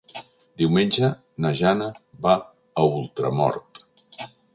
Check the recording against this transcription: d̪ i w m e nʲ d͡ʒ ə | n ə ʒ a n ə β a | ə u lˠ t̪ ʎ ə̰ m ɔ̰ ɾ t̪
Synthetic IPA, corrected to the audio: d̪ i w m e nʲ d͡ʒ ə | n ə ʒ a n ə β a | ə u lˠ t̪ ɾ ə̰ m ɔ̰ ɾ t̪